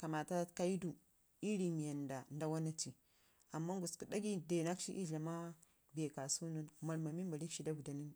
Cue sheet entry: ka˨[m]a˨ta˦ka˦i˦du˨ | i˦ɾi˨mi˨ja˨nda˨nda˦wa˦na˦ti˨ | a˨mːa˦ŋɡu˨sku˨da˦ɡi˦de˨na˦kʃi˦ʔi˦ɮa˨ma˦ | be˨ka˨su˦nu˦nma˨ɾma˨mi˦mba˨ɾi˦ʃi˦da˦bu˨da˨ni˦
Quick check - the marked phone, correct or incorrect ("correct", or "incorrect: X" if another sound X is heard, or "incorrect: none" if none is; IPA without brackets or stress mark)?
correct